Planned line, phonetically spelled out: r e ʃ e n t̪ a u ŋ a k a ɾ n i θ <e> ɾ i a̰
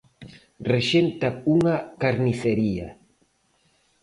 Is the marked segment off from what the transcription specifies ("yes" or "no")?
no